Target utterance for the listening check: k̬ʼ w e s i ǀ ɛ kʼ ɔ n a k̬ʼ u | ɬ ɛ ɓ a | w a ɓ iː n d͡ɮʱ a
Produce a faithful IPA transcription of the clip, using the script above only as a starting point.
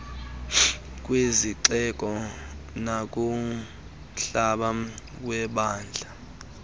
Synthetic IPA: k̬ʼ w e z i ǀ ɛ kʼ ɔ n a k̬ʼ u | ɬ a ɓ a | w ɛ ɓ aː n d͡ɮʱ a